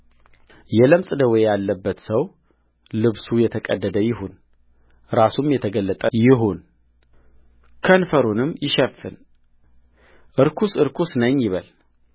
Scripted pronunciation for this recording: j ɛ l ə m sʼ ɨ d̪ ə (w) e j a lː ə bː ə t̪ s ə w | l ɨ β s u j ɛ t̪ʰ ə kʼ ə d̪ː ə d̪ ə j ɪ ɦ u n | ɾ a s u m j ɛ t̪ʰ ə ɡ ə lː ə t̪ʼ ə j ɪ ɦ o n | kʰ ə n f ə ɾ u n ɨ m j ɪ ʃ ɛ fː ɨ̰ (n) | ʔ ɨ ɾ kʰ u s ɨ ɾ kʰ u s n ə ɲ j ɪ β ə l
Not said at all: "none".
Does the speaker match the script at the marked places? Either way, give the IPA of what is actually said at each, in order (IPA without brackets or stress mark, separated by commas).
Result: w, n